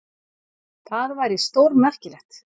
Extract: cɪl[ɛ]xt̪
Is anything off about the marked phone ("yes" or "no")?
no